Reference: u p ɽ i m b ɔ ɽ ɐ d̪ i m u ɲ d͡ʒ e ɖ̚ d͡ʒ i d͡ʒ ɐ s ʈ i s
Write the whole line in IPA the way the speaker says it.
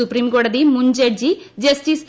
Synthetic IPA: u p ɾ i m ɡ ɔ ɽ ɐ d̪ i m u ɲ d͡ʒ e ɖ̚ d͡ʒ i d͡ʒ ɐ s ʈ i s